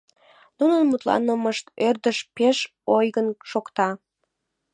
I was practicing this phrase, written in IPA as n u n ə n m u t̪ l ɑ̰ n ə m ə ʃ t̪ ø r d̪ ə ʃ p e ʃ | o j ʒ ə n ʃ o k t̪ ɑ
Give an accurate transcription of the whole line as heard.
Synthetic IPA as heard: n u n ə n m u t̪ l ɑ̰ n ə m ə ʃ t̪ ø r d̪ ə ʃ p e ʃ | o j ɣ ə n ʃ o k t̪ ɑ